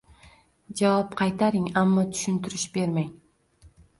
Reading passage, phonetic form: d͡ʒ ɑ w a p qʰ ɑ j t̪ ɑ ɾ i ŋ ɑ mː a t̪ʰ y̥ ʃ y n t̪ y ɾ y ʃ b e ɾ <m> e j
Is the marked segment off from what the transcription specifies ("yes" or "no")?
no